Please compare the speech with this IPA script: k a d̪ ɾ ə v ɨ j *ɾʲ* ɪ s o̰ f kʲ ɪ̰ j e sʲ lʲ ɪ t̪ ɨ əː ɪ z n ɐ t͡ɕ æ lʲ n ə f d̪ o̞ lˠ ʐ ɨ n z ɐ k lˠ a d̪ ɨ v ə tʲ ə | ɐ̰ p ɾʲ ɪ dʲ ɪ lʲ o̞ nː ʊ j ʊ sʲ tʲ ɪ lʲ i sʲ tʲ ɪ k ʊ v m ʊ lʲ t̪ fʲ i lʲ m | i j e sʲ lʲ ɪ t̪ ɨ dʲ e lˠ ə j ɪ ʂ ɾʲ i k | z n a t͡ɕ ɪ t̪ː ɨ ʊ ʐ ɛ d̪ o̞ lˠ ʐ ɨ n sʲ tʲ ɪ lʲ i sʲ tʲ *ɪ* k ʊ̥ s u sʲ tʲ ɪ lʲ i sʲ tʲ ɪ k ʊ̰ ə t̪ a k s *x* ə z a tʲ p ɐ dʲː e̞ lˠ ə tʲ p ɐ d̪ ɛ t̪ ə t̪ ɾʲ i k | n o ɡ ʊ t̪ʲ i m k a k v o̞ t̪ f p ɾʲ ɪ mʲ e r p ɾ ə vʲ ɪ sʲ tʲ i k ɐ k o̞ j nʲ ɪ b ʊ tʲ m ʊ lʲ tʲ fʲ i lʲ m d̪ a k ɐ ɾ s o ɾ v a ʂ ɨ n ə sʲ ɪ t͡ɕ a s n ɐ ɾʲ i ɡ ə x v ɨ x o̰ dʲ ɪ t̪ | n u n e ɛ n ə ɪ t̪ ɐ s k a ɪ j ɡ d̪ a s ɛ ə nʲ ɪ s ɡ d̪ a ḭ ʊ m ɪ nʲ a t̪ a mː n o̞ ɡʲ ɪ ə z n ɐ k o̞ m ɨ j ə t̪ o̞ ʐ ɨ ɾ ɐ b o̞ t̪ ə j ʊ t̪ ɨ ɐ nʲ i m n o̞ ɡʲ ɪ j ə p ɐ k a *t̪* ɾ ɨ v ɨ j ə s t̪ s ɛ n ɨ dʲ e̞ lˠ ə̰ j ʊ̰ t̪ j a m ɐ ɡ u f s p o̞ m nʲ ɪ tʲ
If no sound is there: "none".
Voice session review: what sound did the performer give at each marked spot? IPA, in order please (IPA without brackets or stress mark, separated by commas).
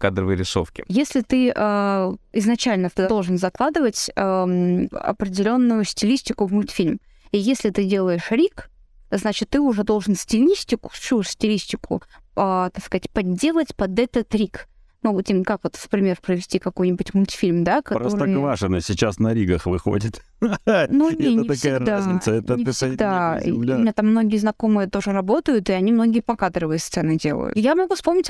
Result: ɾʲ, ɪ, k, d̪